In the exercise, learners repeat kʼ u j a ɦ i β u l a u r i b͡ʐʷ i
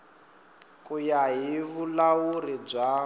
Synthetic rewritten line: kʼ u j a ɦ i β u l a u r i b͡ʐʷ a